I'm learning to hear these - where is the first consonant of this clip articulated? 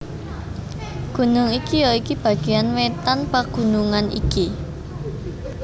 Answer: velum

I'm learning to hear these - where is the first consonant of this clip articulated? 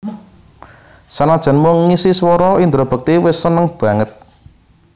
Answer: tongue tip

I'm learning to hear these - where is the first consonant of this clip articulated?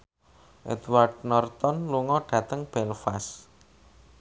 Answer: throat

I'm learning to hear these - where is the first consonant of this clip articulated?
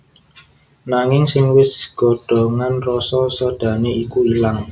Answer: tongue tip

